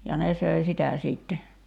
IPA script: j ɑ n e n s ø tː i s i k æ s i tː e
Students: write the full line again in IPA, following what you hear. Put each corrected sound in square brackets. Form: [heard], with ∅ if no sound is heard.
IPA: j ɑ n e [∅] s ø [∅] i s i [t] æ s [iː] tː e